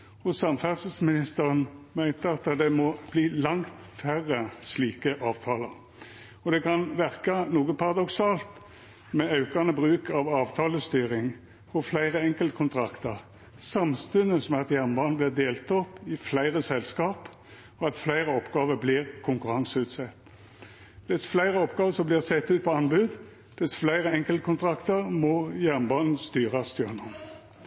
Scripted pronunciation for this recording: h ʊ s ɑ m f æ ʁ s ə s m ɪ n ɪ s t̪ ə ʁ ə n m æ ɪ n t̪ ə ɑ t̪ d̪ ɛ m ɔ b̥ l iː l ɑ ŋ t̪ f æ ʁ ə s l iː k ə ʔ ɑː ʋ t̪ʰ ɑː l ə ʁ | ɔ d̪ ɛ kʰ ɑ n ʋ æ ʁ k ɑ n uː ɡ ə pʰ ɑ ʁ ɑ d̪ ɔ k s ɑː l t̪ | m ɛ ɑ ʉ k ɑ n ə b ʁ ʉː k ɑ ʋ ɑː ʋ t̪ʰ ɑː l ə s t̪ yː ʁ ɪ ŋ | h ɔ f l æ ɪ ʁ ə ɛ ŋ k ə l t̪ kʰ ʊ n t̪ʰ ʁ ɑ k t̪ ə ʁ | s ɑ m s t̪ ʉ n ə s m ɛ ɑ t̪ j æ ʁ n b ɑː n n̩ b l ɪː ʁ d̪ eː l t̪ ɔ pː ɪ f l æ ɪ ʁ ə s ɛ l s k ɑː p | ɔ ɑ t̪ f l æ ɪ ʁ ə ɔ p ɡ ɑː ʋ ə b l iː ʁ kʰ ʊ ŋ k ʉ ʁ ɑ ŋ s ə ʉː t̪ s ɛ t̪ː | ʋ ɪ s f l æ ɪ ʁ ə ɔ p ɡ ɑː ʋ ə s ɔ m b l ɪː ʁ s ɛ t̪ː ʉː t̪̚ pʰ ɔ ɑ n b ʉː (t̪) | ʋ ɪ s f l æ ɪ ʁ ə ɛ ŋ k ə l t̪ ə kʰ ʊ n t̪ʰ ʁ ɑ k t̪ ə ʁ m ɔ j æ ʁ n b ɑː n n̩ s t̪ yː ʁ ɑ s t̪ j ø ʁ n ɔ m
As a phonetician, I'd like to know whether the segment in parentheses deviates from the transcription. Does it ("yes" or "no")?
yes